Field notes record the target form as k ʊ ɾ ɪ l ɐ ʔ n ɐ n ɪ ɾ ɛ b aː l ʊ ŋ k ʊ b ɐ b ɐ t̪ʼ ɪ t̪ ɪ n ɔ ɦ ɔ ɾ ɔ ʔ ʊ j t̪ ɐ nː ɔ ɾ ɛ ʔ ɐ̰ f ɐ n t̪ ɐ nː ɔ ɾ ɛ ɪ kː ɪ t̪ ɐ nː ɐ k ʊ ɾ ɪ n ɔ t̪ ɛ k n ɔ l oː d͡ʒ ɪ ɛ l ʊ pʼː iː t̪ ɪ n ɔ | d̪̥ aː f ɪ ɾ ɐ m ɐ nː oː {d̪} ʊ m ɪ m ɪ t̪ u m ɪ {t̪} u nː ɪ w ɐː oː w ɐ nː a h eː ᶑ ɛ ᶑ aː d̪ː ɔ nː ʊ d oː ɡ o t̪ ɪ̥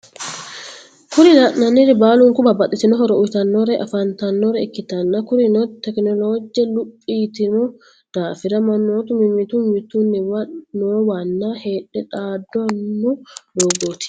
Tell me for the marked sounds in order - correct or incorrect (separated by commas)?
incorrect, correct